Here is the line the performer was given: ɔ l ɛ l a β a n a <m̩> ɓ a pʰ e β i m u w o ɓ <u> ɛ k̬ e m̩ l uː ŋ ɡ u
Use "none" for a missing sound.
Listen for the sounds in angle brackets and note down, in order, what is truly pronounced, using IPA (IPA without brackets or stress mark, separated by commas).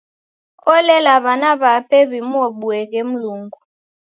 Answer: none, u